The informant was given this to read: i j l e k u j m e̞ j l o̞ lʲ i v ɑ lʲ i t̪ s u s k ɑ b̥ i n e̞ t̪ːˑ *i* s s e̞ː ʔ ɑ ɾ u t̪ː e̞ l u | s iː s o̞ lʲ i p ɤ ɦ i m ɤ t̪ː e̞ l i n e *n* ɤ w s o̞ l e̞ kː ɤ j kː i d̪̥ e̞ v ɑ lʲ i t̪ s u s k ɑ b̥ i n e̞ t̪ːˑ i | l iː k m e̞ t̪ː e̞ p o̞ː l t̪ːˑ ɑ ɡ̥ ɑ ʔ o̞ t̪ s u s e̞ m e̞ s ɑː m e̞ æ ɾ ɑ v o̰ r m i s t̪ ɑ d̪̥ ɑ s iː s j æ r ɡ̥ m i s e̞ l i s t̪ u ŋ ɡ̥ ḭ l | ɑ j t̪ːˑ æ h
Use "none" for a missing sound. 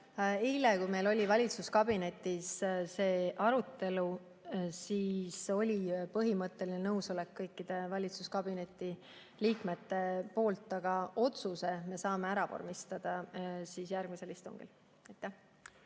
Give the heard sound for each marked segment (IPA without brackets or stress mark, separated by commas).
i, n